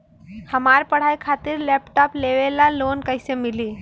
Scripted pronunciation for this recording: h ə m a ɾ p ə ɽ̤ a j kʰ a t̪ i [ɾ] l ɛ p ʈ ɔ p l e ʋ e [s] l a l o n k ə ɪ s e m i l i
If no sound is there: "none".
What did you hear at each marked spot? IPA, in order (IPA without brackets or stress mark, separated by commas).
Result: ɾ, none